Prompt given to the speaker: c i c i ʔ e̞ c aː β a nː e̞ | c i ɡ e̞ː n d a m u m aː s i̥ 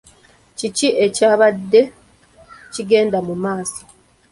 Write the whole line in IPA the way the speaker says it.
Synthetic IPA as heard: c i c i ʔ e̞ c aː β a dː e̞ | c i ɡ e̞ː n d a m u m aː s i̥